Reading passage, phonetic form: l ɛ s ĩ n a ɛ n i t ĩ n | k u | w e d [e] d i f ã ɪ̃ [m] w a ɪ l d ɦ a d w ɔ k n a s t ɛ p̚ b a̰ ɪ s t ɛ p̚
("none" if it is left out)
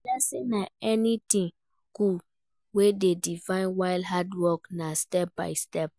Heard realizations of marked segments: e, n

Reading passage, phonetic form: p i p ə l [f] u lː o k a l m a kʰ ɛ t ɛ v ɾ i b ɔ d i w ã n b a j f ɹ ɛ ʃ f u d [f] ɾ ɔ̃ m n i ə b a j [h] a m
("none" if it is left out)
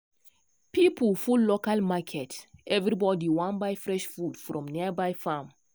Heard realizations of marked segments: f, f, f

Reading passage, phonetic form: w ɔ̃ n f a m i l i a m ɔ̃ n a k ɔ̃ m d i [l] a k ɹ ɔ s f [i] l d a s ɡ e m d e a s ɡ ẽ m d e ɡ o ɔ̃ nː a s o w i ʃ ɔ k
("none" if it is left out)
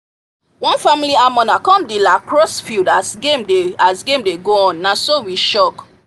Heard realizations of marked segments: l, i

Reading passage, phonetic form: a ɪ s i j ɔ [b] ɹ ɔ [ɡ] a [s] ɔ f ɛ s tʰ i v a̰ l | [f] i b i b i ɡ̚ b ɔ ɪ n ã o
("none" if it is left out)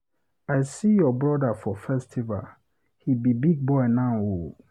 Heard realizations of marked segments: b, d, f, h

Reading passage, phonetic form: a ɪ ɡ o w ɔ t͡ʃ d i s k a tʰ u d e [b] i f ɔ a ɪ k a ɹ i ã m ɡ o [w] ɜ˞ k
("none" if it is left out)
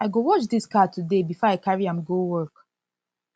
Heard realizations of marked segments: b, w

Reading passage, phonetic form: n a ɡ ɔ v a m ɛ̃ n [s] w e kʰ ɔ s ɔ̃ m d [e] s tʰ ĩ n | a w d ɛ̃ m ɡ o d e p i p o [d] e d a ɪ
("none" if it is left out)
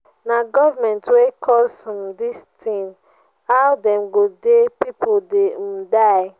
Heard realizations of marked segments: t, i, d

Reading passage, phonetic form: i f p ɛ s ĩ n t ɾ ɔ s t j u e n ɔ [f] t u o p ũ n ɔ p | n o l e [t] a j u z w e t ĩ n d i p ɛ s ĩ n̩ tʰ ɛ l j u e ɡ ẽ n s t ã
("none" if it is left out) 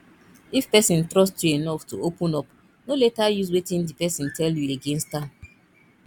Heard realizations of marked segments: f, t

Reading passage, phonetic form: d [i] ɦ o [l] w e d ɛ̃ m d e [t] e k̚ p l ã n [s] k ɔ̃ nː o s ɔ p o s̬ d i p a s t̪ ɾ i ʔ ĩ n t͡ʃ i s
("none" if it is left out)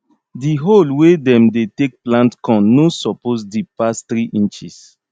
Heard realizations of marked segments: i, l, t, t

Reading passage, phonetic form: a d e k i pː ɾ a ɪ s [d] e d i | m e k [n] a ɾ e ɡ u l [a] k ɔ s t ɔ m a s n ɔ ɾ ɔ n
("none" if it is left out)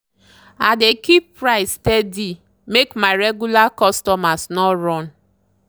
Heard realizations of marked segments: t, m, a

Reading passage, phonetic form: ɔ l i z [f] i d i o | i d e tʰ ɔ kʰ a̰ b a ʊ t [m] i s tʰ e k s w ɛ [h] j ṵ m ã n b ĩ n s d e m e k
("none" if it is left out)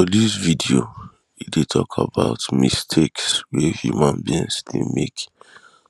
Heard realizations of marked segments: v, m, h

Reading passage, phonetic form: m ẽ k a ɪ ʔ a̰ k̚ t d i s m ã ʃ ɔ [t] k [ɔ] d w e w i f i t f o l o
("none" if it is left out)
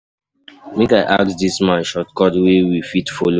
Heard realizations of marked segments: t, ɔ

